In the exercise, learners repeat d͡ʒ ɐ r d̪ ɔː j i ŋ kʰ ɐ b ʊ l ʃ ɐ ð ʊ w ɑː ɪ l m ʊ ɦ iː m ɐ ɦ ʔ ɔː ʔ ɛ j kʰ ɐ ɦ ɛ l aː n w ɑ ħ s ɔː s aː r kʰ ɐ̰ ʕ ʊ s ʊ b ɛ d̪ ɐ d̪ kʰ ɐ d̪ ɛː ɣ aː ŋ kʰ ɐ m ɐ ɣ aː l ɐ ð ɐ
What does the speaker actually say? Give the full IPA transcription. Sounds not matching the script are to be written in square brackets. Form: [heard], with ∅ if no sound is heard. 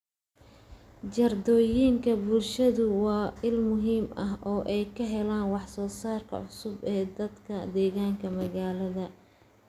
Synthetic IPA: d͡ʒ ɐ r d̪ ɔː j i ŋ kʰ ɐ b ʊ l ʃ ɐ ð ʊ w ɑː ɪ l m ʊ ɦ iː m ɐ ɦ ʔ ɔː ʔ ɛ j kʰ ɐ ɦ ɛ l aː n w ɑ ħ s ɔː s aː r kʰ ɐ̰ ʕ ʊ s ʊ b [ɛː] d̪ ɐ d̪ kʰ ɐ d̪ ɛː ɣ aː ŋ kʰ ɐ m ɐ ɣ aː l ɐ ð ɐ